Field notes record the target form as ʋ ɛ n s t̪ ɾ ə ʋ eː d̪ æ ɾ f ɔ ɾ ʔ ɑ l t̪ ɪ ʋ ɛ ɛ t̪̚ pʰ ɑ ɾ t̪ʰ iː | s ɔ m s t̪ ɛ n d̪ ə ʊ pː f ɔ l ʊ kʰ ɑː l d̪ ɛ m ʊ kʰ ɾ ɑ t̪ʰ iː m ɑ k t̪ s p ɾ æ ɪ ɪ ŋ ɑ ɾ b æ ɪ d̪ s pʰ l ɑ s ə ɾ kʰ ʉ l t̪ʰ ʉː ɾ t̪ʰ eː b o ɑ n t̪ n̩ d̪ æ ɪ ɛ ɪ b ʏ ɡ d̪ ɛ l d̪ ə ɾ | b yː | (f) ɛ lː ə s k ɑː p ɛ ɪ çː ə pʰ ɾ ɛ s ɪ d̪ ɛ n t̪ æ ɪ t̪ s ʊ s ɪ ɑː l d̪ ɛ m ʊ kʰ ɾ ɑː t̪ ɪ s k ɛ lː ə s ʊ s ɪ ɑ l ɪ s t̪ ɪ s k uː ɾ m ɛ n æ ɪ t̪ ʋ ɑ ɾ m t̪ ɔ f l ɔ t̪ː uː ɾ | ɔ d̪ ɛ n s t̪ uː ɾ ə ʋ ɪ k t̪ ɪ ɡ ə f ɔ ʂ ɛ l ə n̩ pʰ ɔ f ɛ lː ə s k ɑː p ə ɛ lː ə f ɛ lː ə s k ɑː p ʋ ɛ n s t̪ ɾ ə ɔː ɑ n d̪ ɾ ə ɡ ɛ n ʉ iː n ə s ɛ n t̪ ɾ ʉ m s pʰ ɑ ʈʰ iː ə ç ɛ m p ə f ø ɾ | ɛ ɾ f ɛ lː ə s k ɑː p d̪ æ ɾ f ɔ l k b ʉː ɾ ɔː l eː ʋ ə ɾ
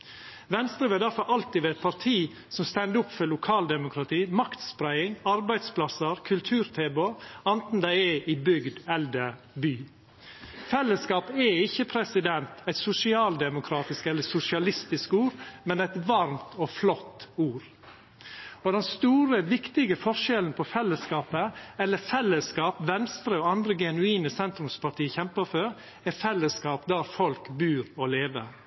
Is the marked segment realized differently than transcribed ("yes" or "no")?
no